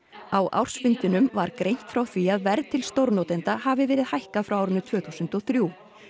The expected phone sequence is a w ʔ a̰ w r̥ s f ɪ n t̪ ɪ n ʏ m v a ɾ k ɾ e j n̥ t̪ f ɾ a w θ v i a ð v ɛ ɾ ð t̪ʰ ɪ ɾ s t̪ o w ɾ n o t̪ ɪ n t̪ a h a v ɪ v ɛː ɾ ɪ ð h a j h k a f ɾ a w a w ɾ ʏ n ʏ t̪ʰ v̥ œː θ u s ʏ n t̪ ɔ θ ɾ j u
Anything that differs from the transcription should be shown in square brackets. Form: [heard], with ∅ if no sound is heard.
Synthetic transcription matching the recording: a w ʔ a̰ w r̥ s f ɪ n t̪ ɪ n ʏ m v a ɾ k ɾ e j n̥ t̪ f ɾ a w θ v i a ð v ɛ ɾ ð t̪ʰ ɪ [l] s t̪ o w ɾ n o t̪ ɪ n t̪ a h a v ɪ v ɛː ɾ ɪ ð h a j h k a f ɾ a w a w ɾ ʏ n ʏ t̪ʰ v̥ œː θ u s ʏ n t̪ ɔ θ ɾ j u